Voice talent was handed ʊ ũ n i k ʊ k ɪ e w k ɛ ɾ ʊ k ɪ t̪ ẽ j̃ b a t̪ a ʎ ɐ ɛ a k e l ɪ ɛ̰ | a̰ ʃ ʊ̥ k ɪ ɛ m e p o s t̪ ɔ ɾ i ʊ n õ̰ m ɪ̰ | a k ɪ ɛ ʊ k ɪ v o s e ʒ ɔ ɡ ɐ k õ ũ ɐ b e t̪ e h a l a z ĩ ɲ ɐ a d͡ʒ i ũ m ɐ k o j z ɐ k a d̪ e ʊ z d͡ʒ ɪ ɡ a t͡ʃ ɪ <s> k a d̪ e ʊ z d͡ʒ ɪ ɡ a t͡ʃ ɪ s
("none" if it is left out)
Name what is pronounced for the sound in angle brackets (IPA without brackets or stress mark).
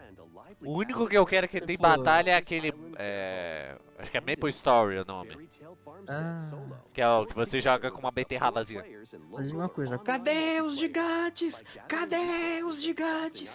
s